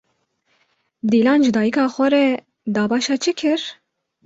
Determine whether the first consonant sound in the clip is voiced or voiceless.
voiced